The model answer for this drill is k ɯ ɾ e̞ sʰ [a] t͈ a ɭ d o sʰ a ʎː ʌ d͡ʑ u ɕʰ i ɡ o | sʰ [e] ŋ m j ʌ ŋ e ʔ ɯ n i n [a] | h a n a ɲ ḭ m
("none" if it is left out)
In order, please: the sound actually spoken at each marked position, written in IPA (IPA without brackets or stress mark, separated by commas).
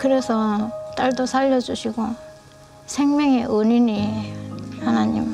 ʌ, e, i